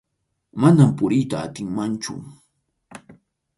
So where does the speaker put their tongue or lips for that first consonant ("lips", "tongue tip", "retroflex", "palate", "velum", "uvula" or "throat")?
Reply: lips